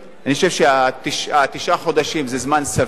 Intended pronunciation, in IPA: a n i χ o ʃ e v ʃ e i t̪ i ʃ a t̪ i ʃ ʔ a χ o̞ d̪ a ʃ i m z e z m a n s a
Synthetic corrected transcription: a n i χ o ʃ e v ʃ e a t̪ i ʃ a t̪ i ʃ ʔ a χ o̞ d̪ a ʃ i m z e z m a n s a